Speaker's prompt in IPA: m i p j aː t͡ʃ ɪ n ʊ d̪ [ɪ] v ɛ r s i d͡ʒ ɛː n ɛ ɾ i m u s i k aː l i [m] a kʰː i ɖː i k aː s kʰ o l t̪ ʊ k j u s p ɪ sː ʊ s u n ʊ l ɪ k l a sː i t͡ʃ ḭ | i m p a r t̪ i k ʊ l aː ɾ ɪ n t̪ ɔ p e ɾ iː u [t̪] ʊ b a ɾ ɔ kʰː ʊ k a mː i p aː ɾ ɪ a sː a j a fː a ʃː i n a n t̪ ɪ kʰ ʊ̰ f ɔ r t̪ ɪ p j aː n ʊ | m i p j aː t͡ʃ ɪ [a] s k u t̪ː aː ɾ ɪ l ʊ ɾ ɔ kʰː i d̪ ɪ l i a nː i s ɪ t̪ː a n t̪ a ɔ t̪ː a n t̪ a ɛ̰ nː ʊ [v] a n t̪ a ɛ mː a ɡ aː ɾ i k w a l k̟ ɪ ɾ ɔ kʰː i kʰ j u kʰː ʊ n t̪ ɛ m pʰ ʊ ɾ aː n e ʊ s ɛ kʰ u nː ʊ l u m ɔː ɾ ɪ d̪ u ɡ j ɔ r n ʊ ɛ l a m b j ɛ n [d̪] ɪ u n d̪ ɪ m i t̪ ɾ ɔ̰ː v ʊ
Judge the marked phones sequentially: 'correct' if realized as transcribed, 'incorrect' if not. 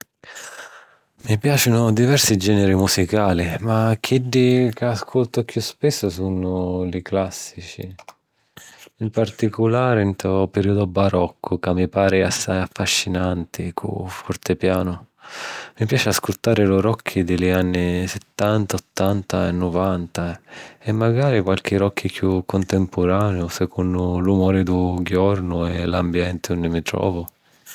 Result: incorrect, correct, incorrect, correct, correct, incorrect

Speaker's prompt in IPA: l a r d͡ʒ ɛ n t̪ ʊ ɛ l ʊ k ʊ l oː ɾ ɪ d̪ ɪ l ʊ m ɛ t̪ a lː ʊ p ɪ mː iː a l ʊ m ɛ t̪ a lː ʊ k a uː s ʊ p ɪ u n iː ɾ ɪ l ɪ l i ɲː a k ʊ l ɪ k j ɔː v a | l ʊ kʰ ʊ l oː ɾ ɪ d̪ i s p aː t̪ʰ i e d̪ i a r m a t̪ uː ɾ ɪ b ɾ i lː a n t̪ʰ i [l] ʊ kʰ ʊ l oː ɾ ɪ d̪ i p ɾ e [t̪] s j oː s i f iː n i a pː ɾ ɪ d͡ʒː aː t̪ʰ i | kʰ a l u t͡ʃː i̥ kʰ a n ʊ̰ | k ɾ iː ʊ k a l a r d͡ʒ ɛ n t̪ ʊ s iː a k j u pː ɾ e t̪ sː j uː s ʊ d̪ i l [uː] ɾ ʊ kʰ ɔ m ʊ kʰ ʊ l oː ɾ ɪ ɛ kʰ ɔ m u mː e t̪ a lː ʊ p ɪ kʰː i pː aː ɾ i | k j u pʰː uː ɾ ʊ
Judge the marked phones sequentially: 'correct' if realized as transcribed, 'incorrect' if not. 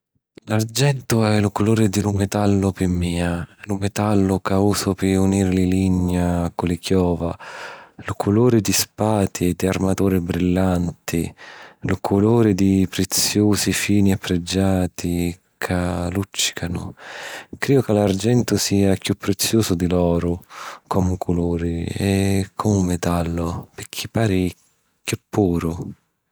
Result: correct, correct, incorrect

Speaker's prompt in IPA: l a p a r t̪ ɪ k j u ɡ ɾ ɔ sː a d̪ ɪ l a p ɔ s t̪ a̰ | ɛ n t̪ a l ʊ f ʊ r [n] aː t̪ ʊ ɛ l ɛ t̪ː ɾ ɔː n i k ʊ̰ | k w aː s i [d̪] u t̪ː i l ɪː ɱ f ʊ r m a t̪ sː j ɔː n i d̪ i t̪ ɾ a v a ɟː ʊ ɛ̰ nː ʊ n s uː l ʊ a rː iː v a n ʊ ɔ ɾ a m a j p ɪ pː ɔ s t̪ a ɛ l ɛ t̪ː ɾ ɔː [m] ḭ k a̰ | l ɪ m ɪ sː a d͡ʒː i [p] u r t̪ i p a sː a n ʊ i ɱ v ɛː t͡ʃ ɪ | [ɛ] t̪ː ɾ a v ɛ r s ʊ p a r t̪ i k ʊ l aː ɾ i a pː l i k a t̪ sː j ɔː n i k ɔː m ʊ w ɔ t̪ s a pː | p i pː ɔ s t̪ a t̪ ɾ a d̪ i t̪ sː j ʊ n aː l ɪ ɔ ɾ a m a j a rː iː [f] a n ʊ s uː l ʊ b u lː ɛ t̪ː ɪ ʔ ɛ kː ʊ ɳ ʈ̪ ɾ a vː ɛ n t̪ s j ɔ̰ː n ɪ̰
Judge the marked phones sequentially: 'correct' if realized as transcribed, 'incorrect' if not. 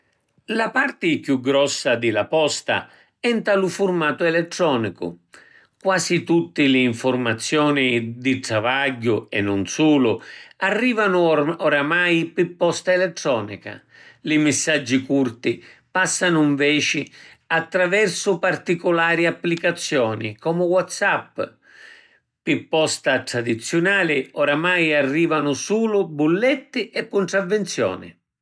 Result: incorrect, incorrect, incorrect, incorrect, incorrect, incorrect

